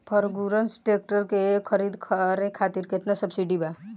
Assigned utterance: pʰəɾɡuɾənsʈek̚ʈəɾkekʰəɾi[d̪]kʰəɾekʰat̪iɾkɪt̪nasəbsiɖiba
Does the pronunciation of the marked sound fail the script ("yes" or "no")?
no